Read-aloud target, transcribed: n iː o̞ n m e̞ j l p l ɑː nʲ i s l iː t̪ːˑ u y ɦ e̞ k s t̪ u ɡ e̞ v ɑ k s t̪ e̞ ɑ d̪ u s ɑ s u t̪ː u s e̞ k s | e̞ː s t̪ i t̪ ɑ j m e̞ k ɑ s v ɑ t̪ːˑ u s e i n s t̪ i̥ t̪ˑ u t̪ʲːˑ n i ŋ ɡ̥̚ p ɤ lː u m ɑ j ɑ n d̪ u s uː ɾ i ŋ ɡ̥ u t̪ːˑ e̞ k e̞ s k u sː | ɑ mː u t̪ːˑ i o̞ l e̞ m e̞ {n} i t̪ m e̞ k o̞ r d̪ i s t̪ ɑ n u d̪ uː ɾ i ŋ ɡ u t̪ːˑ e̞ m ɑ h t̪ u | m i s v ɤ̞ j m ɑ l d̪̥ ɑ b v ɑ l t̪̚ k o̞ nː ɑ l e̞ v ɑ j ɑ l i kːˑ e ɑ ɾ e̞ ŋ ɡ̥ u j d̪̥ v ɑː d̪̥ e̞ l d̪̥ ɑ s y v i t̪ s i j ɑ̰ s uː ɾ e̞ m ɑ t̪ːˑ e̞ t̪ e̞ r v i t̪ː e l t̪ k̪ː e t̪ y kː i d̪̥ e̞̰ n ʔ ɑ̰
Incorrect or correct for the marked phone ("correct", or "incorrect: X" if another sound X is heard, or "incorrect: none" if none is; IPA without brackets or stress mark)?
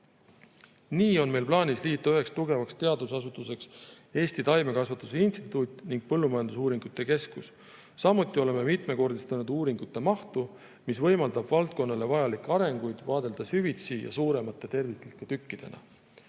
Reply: incorrect: m